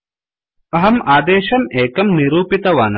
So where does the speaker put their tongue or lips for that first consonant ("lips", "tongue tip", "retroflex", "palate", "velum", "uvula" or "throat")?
throat